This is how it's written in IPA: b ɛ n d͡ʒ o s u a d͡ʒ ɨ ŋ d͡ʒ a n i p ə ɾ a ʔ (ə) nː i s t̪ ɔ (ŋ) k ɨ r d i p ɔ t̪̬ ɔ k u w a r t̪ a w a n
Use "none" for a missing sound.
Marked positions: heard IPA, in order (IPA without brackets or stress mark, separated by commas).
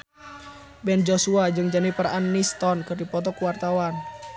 a, n